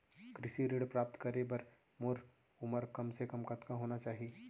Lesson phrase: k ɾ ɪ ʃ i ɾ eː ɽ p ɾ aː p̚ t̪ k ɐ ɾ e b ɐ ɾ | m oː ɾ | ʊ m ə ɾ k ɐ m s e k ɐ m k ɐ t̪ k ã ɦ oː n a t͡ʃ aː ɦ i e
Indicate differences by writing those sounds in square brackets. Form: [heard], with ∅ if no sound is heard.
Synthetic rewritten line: k ɾ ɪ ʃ i ɾ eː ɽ p ɾ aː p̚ t̪ k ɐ ɾ e b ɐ ɾ | m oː ɾ | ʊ m ə ɾ k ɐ m s e k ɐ m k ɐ t̪ k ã ɦ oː n a t͡ʃ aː ɦ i e